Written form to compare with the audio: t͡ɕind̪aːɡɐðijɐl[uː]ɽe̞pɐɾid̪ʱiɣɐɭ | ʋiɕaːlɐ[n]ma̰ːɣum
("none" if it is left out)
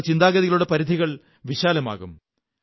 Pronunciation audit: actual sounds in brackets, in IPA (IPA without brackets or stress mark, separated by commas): u, none